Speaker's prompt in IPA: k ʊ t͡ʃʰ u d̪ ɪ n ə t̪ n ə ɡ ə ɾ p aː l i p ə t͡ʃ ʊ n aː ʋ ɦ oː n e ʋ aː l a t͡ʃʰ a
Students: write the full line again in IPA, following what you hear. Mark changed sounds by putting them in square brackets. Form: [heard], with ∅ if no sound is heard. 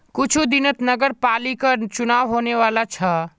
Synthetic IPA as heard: k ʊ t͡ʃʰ u d̪ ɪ n ə t̪ n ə ɡ ə ɾ p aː l i [k] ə t͡ʃ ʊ n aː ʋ ɦ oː n e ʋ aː l a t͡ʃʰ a